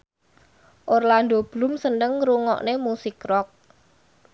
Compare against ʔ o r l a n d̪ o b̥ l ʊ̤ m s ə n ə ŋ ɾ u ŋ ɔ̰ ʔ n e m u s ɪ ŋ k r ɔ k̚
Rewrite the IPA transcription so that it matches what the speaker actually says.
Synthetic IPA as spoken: ʔ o r l a n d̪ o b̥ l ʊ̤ m s ə n ə ŋ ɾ u ŋ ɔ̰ ʔ n e m u s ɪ k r ɔ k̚